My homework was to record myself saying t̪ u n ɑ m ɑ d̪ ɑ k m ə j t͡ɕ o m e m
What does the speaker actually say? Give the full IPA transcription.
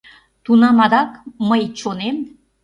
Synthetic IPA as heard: t̪ u n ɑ m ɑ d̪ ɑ k m ə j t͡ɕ o n e m